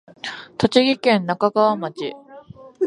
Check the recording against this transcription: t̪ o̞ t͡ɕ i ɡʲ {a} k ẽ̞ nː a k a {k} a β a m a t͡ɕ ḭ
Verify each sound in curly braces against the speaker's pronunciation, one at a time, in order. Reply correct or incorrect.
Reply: incorrect: i, incorrect: ɡ

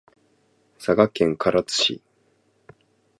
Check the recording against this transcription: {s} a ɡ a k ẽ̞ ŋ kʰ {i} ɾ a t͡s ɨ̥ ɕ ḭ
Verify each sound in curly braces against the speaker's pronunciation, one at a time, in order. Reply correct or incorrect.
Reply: correct, incorrect: a

